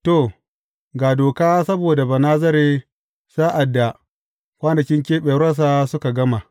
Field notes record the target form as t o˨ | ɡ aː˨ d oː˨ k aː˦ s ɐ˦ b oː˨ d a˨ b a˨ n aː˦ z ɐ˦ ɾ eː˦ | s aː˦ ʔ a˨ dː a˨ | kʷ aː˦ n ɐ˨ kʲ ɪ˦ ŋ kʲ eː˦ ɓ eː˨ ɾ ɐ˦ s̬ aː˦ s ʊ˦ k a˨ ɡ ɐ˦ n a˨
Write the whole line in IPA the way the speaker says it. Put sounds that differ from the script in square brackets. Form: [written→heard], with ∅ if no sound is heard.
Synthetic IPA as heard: t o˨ | ɡ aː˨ d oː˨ k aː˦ s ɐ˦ b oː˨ d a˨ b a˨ n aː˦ z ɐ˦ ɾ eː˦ | s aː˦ ʔ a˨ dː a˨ | kʷ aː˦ n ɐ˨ kʲ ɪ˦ ŋ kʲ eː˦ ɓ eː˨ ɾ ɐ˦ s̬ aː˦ s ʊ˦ k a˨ ɡ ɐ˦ [n→m] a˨